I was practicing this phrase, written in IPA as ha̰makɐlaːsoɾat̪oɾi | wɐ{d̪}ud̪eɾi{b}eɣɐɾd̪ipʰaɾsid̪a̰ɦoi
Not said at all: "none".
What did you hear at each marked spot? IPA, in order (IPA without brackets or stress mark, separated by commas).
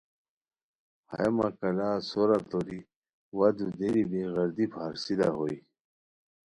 d̪, b